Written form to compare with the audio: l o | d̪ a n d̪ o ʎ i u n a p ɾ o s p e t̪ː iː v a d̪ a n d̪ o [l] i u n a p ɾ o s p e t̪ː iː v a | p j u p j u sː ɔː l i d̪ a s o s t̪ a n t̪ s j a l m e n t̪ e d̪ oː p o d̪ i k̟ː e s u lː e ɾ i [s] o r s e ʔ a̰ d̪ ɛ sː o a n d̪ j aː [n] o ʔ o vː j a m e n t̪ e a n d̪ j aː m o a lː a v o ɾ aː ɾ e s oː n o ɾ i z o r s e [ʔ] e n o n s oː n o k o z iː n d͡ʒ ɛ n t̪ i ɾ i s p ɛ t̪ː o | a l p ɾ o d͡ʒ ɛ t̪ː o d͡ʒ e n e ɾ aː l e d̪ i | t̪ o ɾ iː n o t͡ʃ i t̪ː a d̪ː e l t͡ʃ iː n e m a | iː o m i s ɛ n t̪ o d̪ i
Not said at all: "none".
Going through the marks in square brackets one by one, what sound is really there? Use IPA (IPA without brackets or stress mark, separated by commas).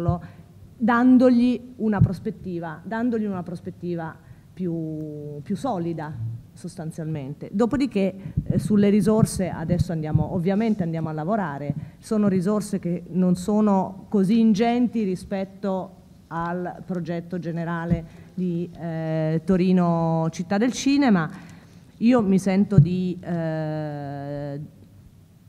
ʎ, z, m, k